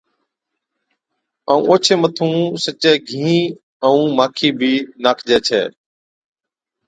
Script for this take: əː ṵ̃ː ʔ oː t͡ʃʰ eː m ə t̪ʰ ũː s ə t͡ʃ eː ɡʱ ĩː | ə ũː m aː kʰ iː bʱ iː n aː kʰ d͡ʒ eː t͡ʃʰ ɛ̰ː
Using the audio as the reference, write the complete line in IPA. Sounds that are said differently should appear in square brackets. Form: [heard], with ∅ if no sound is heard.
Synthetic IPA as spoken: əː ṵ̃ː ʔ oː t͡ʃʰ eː m ə t̪ʰ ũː s ə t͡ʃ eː ɡʱ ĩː | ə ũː m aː kʰ iː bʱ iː n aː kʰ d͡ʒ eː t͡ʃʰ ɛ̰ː